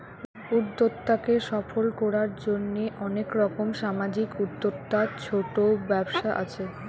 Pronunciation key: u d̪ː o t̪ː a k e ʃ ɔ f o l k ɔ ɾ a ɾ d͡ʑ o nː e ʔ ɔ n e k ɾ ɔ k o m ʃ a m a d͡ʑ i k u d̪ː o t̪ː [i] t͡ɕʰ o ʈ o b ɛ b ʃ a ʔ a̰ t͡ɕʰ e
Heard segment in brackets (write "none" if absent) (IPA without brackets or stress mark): a